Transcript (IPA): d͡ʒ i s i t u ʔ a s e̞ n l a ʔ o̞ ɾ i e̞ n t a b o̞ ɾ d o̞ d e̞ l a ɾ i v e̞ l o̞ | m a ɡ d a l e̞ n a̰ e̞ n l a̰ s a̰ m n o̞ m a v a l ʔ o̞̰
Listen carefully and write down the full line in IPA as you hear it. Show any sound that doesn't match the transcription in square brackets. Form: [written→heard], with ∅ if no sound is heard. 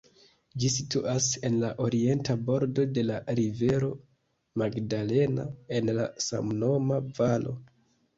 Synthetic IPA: d͡ʒ i s i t u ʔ a s e̞ n l a ʔ o̞ ɾ i e̞ n t a b o̞ ɾ d o̞ d e̞ l a ɾ i v e̞ [l→ɾ] o̞ | m a ɡ d a l e̞ n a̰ e̞ n l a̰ s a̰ m n o̞ m a v a l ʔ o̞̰